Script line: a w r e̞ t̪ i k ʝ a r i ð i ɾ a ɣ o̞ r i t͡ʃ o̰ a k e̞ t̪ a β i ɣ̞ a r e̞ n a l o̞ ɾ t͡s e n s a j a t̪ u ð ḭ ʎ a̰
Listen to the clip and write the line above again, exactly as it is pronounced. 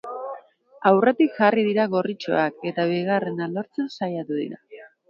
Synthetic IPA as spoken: a w r e̞ t̪ i k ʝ a r i ð i ɾ a ɣ o̞ r i t͡ʃ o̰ a k e̞ t̪ a β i ɣ̞ a r e̞ n a l o̞ ɾ t͡s e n s a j a t̪ u ð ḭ ɾ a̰